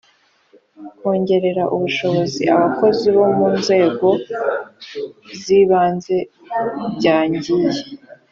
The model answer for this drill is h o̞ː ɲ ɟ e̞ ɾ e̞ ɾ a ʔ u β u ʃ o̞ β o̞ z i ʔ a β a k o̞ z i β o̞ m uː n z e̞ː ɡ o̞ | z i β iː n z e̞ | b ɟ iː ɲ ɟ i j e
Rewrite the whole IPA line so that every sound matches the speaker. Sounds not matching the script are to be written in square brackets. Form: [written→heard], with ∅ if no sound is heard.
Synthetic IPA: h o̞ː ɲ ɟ e̞ ɾ e̞ ɾ a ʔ u β u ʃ o̞ β o̞ z i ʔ a β a k o̞ z i β o̞ m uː n z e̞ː ɡ o̞ | z i β [iː→aː] n z e̞ | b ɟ [iː→aː] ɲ ɟ i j e